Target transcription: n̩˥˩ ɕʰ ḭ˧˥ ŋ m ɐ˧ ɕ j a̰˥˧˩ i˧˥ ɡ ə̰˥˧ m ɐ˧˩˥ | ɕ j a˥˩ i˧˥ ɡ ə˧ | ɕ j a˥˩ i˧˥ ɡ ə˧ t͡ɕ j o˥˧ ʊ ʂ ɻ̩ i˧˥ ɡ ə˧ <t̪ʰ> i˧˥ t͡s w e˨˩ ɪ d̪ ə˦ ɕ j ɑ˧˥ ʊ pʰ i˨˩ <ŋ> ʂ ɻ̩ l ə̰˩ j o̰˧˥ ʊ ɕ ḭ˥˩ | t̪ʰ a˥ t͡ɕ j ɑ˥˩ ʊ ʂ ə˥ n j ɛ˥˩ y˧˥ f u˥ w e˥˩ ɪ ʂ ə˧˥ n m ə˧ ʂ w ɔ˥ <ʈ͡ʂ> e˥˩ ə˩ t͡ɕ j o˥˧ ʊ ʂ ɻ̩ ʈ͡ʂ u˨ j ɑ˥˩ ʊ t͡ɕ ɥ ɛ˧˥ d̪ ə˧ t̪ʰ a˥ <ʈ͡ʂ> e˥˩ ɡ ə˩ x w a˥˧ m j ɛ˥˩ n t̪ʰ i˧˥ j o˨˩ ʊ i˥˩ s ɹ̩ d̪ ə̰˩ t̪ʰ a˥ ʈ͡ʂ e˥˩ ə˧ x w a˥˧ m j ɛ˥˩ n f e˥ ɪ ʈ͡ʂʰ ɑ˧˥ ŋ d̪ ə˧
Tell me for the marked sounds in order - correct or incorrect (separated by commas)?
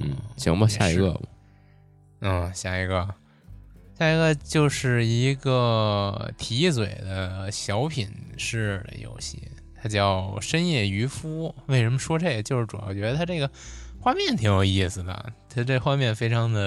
correct, incorrect, correct, correct